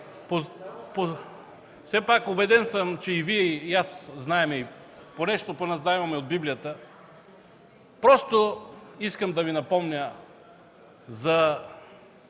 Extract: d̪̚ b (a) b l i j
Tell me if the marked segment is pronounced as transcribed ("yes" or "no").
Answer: no